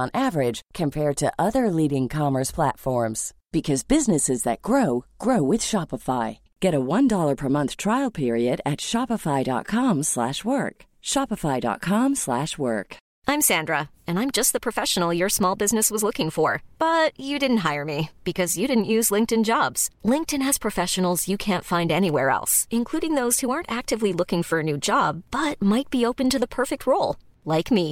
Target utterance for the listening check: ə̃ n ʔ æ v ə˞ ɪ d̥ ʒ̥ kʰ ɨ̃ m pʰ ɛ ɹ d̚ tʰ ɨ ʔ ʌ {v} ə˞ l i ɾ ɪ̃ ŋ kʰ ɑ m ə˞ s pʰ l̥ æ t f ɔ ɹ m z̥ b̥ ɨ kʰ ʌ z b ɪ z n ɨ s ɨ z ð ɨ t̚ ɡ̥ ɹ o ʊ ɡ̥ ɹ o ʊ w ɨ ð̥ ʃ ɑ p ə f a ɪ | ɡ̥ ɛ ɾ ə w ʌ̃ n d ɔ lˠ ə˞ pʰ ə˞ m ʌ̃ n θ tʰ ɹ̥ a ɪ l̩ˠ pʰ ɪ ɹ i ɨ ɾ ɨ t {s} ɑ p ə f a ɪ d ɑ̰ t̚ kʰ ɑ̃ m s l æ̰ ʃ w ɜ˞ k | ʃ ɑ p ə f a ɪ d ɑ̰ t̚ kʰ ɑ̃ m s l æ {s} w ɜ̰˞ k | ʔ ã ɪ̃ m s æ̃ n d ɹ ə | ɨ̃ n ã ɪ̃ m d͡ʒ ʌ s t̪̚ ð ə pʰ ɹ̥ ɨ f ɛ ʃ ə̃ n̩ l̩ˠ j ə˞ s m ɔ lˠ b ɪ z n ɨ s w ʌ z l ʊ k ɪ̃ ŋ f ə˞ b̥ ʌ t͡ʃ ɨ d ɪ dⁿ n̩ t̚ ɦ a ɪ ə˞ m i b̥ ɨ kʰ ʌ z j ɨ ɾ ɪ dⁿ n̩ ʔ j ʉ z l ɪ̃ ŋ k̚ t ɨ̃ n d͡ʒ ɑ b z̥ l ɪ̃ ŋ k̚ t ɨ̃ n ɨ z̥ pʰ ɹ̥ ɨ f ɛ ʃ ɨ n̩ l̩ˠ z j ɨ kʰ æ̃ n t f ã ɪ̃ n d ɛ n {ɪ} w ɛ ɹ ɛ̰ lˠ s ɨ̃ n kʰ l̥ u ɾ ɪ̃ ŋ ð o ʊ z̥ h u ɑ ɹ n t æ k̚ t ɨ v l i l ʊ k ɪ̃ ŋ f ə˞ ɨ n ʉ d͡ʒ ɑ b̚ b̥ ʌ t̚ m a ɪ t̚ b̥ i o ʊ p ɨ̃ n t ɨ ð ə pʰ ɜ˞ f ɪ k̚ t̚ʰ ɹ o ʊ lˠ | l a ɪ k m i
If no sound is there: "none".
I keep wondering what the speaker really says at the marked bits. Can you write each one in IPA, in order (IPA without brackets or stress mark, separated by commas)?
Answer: ð, ʃ, ʃ, i